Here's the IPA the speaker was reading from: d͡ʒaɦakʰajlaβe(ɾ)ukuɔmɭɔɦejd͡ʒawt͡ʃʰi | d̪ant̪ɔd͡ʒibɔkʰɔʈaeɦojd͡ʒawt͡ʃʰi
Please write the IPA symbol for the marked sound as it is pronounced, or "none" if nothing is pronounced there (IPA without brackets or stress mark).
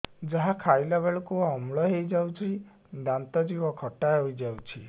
ɭ